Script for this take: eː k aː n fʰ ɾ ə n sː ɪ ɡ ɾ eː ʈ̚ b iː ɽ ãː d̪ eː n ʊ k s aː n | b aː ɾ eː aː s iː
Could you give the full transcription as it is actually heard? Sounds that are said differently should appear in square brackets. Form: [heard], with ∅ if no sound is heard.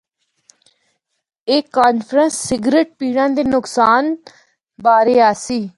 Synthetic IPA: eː k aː n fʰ ɾ ə n sː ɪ ɡ ɾ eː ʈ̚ [p] iː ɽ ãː d̪ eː n ʊ k s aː n | b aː ɾ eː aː s iː